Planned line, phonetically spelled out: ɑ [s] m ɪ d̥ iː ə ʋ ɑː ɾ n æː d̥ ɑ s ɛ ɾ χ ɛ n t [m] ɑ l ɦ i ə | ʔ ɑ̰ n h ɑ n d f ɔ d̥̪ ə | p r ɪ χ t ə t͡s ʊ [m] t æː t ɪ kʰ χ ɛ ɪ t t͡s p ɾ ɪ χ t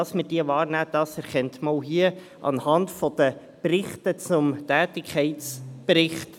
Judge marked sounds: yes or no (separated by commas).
yes, yes, yes